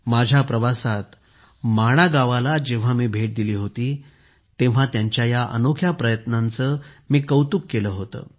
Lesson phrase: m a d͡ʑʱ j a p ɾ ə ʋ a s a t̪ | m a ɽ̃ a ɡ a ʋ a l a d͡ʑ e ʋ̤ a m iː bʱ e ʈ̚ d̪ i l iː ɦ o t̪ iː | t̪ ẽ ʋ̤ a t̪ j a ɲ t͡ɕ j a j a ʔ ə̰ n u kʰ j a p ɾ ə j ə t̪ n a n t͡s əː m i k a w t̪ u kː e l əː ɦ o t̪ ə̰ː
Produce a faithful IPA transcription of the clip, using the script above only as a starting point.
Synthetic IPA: m a d͡ʑʱ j a p ɾ ə ʋ a s a t̪ | m a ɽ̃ a ɡ a ʋ a l a d͡ʑ e ʋ̤ a m iː bʱ e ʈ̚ d̪ i l iː ɦ o t̪ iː | t̪ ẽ ʋ̤ a t̪ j a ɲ t͡ɕ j a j a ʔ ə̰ n o kʰ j a p ɾ ə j ə t̪ n a n t͡s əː m iː k ə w t̪ u kː e l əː ɦ o t̪ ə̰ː